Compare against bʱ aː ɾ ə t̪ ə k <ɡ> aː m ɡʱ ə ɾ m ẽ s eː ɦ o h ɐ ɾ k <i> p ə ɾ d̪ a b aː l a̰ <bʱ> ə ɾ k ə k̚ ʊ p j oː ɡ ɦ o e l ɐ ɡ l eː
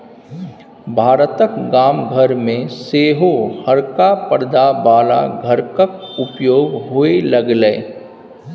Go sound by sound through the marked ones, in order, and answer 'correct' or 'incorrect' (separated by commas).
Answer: correct, incorrect, incorrect